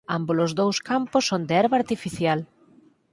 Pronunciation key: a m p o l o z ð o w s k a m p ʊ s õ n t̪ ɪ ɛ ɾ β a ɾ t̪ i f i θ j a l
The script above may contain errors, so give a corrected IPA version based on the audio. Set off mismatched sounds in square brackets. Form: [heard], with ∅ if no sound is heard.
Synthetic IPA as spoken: a m [b] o l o z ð o w s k a m p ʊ s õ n [d̪] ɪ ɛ ɾ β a ɾ t̪ i f i θ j a l

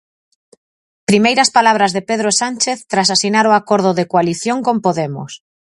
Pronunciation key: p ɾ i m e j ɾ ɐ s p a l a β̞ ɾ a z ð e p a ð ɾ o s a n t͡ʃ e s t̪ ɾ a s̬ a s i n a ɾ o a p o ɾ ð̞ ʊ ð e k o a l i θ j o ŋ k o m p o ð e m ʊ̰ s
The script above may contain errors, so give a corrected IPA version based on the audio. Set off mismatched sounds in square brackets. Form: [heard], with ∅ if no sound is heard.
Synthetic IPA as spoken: p ɾ i m e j ɾ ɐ s p a l a β̞ ɾ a z ð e p [e] ð ɾ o s a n t͡ʃ e [θ] t̪ ɾ a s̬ a s i n a ɾ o a [k] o ɾ ð̞ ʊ ð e k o a l i θ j o ŋ k o m p o ð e m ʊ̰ s

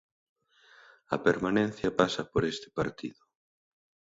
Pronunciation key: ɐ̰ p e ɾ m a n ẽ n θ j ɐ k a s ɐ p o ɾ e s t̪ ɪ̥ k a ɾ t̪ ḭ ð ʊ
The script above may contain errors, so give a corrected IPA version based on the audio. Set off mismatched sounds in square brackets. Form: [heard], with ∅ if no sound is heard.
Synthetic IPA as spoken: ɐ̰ p e ɾ m a n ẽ n θ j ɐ [p] a s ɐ p o ɾ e s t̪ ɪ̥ [p] a ɾ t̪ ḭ ð ʊ

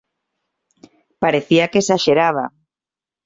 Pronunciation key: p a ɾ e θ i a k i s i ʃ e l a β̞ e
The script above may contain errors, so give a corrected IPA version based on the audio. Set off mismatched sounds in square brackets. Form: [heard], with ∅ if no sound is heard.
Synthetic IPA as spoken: p a ɾ e θ i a k [e] s [a] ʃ e [ɾ] a β̞ [a]

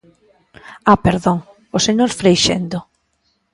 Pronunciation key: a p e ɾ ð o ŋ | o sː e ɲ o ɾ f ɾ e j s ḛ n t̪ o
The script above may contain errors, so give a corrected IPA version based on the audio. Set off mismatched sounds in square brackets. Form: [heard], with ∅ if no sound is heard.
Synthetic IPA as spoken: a p e ɾ ð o ŋ | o [s] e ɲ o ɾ f ɾ e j [ʃ] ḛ n [d̪] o

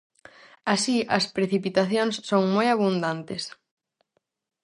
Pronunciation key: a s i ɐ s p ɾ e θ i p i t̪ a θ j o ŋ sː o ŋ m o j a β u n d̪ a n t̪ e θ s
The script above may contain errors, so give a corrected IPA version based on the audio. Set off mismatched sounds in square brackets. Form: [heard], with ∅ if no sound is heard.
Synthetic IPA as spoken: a s i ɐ s p ɾ e θ i p i t̪ a θ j o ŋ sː o ŋ m o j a β u n d̪ a n t̪ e [∅] s

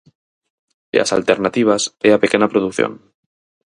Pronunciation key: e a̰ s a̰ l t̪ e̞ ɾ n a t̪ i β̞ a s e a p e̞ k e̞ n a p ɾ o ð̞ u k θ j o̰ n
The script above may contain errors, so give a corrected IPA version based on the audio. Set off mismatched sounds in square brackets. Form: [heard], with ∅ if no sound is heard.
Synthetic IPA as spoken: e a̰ s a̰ l t̪ e̞ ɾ n a t̪ i β̞ a s e a p e̞ k e̞ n a p ɾ o ð̞ u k θ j o̰ n

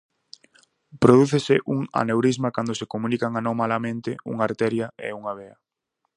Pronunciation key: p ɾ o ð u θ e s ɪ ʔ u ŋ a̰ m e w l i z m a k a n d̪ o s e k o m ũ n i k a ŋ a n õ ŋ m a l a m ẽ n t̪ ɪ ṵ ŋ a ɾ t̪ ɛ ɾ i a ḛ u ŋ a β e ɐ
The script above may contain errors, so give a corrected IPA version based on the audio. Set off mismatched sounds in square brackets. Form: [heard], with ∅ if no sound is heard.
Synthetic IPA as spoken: p ɾ o ð u θ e s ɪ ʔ u ŋ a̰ [n] e w [ɾ] i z m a k a n d̪ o s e k o m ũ n i k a ŋ a n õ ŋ m a l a m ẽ n t̪ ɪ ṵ ŋ a ɾ t̪ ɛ ɾ [j] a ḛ u ŋ a β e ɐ

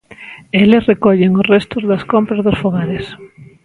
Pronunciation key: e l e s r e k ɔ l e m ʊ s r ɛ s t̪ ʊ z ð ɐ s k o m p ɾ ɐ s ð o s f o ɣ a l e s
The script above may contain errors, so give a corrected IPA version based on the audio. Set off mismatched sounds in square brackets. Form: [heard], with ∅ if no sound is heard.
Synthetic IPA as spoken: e l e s r e k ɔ [ʎ] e [ŋ] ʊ s r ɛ s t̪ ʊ z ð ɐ s k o m p ɾ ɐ [z] ð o s f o ɣ a [ɾ] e s

